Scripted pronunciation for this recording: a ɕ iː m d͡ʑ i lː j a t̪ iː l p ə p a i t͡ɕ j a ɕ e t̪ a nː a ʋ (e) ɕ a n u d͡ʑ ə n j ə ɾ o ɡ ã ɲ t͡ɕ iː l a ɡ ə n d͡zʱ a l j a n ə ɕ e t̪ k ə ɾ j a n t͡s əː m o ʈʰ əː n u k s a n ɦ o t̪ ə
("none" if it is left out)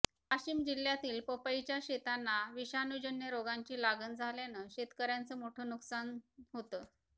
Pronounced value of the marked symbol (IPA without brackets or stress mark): i